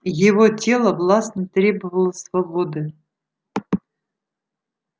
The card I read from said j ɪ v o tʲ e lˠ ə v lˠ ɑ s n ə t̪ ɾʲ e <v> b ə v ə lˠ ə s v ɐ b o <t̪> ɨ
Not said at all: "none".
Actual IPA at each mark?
none, d̪

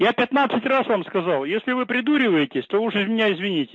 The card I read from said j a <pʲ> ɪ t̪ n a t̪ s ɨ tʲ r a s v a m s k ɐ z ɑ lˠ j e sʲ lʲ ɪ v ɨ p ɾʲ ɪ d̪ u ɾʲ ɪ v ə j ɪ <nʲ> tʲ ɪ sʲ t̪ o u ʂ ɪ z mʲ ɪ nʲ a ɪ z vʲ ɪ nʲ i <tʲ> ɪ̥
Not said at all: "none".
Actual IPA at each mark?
pʲ, none, tʲ

